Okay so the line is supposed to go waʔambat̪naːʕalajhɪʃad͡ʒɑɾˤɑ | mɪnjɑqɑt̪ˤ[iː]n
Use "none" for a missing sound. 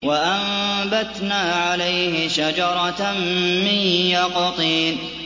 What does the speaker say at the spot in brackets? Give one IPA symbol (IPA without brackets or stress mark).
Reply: iː